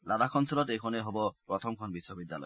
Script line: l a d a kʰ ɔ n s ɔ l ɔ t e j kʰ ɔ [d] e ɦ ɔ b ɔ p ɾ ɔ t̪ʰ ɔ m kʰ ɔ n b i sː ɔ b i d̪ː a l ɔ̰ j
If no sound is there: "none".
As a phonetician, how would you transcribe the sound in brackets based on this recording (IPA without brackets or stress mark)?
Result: n